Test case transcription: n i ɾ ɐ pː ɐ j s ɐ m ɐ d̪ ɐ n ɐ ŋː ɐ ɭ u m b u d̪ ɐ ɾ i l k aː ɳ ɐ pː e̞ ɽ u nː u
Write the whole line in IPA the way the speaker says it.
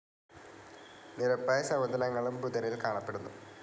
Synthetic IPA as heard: n i ɾ ɐ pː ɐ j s ɐ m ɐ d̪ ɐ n ɐ ŋː ɐ ɭ u m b u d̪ ɐ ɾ i l k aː ɳ ɐ pː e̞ ɽ u nː u